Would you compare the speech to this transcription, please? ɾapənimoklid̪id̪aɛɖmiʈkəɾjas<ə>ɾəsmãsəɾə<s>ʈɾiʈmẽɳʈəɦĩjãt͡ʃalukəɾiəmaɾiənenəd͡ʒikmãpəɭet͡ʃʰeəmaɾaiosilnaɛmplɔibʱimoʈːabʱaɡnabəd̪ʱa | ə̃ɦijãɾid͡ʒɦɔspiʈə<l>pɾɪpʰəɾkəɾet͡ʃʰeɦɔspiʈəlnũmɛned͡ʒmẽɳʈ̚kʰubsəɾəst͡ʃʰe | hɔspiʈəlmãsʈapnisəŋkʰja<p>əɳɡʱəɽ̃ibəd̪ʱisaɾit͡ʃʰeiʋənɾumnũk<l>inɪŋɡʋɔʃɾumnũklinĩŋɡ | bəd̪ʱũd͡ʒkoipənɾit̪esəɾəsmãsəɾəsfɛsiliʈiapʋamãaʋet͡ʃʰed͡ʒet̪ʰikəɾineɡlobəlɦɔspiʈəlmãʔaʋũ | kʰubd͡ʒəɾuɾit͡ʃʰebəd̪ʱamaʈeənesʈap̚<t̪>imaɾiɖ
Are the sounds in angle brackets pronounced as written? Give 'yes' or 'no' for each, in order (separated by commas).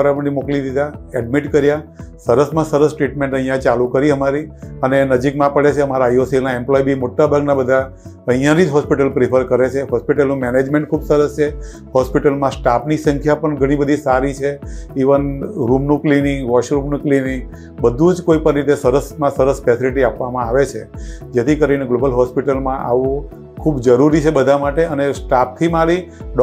yes, yes, yes, yes, yes, no